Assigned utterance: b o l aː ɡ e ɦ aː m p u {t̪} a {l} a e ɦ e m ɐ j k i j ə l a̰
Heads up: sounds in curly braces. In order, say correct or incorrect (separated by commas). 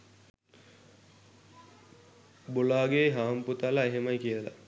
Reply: correct, correct